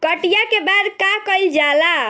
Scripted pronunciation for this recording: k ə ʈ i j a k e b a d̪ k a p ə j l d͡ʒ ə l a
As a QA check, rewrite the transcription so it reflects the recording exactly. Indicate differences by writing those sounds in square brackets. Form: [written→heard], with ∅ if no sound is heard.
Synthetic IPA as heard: k ə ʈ i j a k e b a d̪ k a [p→k] ə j l d͡ʒ [ə→a] l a